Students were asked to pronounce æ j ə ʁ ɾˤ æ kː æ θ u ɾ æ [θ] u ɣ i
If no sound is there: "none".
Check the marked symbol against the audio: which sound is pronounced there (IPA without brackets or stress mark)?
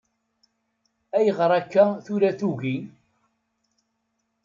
θ